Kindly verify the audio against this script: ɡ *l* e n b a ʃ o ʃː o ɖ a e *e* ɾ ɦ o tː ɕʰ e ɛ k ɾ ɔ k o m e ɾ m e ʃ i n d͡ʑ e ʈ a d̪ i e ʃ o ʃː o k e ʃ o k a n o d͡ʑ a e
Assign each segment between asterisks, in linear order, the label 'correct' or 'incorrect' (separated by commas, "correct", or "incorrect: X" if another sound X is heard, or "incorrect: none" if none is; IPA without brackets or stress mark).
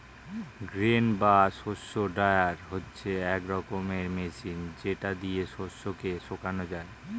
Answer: incorrect: ɾ, incorrect: a